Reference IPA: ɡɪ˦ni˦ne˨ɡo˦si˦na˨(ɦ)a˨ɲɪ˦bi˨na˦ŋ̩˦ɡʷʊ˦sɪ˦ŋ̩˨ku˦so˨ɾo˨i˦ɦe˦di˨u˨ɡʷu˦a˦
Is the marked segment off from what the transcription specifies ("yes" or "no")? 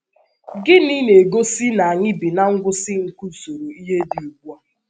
yes